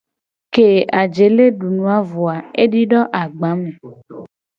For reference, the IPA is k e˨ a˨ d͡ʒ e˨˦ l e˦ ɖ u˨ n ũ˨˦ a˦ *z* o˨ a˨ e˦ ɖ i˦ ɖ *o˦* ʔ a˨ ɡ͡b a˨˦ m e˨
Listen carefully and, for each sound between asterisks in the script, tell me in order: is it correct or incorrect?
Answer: incorrect, incorrect

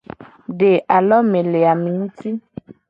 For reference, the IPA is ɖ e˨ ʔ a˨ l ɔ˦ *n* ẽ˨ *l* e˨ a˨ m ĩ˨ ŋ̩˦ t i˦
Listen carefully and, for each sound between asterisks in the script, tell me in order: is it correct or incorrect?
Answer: incorrect, correct

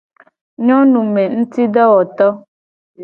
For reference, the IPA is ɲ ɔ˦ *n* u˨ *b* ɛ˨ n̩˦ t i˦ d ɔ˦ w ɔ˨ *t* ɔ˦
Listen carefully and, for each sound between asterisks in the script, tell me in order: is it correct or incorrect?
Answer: correct, incorrect, correct

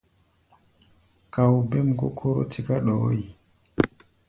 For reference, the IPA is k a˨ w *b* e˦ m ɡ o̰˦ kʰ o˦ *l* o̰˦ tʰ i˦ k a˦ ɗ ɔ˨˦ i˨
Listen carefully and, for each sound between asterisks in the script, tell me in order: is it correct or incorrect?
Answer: correct, incorrect

